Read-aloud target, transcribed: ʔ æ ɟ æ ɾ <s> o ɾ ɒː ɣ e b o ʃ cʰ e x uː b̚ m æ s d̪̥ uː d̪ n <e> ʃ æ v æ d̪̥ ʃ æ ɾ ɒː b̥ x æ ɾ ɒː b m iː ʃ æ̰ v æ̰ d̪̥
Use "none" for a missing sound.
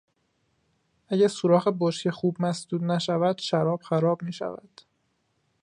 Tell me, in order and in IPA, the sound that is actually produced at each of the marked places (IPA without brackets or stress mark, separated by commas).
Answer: s, æ